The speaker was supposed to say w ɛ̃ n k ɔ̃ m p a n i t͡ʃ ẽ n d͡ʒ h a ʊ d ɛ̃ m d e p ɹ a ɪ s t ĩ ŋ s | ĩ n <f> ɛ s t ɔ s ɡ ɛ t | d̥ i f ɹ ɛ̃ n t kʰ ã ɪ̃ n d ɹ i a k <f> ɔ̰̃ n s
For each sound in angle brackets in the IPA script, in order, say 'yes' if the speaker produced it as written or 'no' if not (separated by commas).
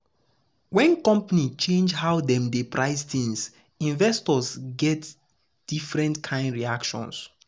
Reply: no, no